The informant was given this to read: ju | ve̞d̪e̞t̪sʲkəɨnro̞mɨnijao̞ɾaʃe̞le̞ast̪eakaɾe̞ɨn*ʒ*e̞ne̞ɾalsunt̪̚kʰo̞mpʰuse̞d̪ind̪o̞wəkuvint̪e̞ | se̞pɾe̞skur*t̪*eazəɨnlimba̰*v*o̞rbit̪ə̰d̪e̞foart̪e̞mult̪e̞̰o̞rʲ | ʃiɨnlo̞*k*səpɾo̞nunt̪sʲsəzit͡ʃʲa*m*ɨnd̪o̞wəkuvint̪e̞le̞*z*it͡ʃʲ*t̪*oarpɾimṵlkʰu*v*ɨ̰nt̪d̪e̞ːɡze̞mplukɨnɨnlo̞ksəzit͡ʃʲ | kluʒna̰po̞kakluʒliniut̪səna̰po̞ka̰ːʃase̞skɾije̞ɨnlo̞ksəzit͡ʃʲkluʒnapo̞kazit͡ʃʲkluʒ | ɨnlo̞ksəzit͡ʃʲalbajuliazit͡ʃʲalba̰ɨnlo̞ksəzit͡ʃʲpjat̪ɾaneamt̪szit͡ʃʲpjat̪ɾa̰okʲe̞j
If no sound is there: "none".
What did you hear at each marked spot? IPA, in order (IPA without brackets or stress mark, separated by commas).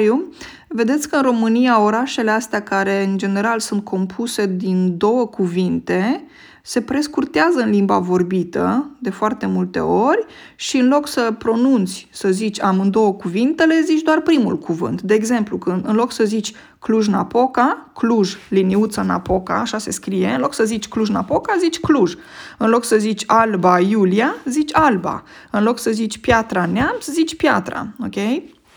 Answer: d͡ʒ, t̪, v, k, m, z, d̪, v